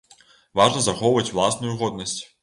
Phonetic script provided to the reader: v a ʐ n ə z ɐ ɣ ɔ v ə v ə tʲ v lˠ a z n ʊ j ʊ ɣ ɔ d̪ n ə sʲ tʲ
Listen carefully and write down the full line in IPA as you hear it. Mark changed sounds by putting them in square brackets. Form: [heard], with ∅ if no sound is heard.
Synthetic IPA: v a ʐ n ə z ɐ [x] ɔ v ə v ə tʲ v lˠ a [s] n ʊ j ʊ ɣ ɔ d̪ n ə sʲ tʲ